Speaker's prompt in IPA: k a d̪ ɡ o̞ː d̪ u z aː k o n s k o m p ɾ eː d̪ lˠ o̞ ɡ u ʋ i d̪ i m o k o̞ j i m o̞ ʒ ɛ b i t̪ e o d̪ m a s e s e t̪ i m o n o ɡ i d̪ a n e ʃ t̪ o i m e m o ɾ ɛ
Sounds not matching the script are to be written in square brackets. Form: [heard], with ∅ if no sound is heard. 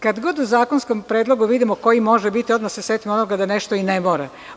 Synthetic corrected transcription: k a d̪ ɡ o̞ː d̪ u z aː k o n s k o m p ɾ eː d̪ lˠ o̞ ɡ u ʋ i d̪ i m o k o̞ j i m o̞ ʒ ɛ b i t̪ [i] o d̪ m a s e s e t̪ i m o n o ɡ [a] d̪ a n e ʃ t̪ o i [n] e m o ɾ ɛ